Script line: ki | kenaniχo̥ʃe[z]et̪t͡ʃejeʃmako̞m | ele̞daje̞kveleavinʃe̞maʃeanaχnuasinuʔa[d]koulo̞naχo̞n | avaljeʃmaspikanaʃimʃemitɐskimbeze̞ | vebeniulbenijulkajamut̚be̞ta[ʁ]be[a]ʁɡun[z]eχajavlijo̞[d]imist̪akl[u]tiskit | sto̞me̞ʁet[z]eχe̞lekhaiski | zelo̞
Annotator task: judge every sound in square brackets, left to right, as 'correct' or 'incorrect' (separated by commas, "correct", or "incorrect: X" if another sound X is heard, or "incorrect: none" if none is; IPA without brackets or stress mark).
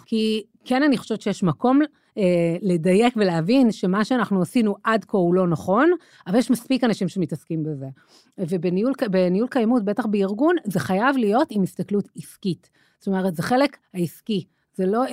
incorrect: v, correct, incorrect: χ, incorrect: i, correct, incorrect: t, correct, correct